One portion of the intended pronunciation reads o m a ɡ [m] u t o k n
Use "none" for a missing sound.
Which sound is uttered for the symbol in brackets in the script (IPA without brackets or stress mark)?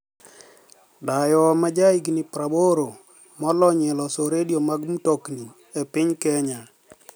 m